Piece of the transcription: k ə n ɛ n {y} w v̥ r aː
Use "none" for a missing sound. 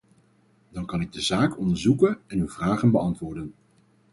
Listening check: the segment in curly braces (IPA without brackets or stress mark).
y